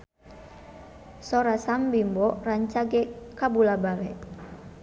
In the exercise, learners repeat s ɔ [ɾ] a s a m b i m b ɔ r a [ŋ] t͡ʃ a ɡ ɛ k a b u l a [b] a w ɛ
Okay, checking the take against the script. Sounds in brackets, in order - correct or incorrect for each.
correct, incorrect: ɲ, correct

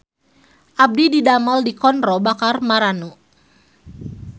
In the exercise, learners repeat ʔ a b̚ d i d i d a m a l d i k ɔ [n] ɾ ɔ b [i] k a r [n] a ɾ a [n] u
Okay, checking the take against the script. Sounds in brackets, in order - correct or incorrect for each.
correct, incorrect: a, incorrect: m, correct

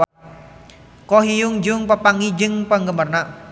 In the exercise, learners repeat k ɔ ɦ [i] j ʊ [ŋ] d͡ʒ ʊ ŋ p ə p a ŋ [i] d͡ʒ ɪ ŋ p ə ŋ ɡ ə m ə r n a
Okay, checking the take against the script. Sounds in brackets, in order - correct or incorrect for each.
correct, correct, correct

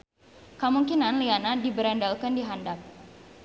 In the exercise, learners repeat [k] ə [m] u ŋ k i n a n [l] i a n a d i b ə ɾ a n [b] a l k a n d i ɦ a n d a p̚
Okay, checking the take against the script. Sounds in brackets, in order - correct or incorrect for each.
correct, correct, correct, incorrect: d

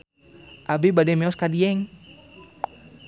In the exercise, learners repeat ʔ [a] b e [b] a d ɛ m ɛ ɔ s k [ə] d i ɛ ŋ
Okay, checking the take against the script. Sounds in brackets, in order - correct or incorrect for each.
correct, correct, incorrect: a

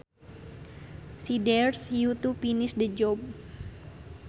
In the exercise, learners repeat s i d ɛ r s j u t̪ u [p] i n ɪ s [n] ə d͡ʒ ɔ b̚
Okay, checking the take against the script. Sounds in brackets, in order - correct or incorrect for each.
correct, incorrect: d

